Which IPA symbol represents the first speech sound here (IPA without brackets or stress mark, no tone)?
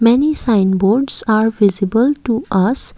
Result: m